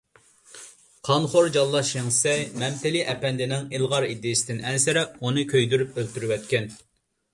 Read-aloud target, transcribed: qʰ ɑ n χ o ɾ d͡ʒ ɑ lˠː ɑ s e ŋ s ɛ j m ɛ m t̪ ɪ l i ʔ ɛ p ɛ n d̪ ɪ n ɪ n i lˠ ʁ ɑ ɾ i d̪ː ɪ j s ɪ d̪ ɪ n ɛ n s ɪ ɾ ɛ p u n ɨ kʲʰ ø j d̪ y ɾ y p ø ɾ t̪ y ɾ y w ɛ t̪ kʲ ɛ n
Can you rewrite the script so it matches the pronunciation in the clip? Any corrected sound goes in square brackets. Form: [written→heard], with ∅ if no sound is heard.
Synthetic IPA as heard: qʰ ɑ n χ o ɾ d͡ʒ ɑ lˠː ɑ [s→ʃ] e ŋ s ɛ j m ɛ m t̪ ɪ l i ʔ ɛ p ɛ n d̪ ɪ n ɪ [n→ŋ] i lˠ ʁ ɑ ɾ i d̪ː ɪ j s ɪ d̪ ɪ n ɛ n s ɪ ɾ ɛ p u n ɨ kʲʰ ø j d̪ y ɾ y p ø [ɾ→l] t̪ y ɾ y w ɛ t̪ kʲ ɛ n